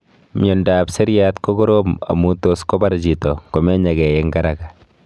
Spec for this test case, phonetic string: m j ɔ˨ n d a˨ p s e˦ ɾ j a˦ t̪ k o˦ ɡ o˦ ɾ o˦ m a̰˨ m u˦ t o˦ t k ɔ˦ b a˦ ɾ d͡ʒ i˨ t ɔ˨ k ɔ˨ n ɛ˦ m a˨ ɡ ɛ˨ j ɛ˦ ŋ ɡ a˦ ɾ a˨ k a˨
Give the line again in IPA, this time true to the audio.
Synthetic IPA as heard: m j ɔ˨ n d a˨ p s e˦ ɾ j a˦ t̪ k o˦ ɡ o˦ ɾ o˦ m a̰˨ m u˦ t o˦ s k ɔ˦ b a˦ ɾ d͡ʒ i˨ t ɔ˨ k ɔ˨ m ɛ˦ ɲ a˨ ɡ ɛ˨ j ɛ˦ ŋ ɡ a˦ ɾ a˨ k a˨